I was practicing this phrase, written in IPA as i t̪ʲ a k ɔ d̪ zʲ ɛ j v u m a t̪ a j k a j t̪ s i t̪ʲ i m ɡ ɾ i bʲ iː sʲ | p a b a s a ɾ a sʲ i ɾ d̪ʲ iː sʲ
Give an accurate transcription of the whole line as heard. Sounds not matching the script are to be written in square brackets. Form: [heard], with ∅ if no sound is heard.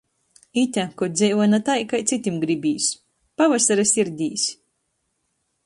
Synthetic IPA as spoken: i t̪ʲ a k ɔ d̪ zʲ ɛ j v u [n] a t̪ a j k a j t̪ s i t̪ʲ i m ɡ ɾ i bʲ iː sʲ | p a [v] a s a ɾ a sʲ i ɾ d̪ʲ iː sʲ